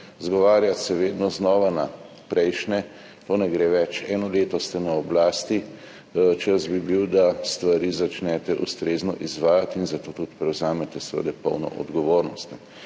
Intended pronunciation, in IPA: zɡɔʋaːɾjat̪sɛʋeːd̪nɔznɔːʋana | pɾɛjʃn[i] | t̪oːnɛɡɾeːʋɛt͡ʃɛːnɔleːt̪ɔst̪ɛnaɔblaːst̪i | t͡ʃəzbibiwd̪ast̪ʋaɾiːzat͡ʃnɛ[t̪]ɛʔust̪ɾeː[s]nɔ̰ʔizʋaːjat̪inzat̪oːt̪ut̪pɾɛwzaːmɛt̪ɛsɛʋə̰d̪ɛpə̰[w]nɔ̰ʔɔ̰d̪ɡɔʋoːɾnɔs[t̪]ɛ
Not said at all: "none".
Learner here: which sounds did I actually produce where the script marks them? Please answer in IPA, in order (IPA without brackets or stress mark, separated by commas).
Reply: ɛ, t̪, z, w, t̪